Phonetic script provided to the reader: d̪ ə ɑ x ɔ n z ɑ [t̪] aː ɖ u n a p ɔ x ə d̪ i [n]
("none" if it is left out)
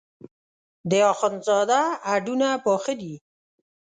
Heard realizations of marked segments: d̪, none

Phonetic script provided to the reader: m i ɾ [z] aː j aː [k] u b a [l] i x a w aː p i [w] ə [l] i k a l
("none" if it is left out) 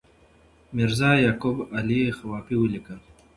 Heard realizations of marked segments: z, k, l, w, l

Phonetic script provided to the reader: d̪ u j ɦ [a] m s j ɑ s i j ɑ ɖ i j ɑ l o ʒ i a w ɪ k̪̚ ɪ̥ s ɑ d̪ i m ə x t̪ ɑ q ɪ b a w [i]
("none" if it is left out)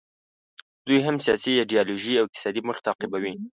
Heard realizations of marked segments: a, i

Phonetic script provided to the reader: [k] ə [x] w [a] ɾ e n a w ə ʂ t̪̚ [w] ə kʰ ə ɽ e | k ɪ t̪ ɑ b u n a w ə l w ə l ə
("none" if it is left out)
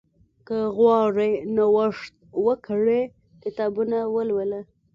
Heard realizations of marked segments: k, ɣ, ɑ, w

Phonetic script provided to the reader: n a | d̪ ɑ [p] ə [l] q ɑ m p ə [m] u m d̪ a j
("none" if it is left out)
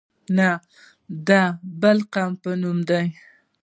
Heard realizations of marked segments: b, l, n

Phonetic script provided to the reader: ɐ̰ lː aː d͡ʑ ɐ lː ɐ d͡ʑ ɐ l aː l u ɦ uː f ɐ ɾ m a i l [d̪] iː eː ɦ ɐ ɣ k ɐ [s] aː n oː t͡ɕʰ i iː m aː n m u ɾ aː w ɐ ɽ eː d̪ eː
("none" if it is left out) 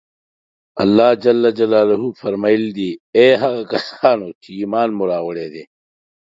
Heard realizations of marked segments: d̪, s

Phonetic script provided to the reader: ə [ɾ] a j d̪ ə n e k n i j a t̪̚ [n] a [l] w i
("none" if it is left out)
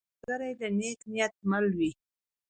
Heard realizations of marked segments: ɾ, m, l

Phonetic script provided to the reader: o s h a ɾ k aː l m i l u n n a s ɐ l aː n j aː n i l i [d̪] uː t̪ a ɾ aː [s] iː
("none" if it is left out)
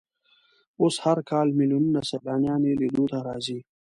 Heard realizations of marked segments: d̪, z

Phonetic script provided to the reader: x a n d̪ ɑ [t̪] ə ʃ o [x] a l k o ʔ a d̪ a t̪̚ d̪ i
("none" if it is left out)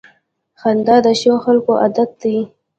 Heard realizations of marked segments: d̪, x

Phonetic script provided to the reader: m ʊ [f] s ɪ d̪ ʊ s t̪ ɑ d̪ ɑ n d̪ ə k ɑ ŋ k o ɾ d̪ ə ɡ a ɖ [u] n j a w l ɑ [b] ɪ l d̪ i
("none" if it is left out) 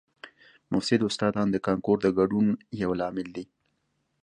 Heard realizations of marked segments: f, u, m

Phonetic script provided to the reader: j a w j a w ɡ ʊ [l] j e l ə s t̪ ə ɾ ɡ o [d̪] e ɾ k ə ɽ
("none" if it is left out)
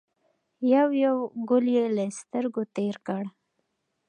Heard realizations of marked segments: l, t̪

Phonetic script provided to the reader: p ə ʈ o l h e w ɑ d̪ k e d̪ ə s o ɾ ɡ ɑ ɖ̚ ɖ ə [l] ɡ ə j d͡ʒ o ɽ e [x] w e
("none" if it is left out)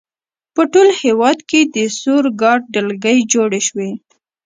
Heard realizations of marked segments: l, ʃ

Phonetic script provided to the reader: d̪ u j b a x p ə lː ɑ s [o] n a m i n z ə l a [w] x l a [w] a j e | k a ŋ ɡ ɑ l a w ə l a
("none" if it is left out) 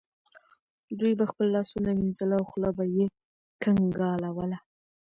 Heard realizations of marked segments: u, w, b

